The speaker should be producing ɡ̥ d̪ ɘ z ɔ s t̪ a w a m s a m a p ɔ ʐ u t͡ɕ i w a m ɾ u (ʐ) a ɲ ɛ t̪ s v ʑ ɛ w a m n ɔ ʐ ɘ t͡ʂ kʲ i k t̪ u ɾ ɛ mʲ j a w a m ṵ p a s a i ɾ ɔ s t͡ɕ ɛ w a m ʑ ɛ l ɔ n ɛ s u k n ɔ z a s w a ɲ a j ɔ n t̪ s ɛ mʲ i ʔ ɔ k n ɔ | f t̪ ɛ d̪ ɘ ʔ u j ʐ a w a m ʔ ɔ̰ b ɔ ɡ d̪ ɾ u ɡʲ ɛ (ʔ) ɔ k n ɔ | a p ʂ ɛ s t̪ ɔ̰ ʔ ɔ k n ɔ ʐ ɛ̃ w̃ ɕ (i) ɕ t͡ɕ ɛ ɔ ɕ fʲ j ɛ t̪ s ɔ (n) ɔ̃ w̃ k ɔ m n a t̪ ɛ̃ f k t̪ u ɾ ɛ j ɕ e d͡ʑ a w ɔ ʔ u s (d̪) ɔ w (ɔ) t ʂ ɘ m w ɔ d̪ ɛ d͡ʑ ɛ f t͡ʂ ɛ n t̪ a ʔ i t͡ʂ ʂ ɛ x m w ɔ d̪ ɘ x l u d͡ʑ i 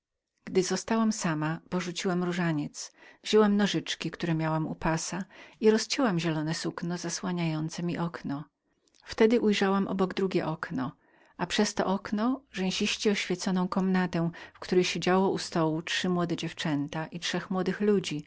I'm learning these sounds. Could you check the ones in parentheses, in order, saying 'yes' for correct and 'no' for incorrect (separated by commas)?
yes, yes, yes, yes, no, no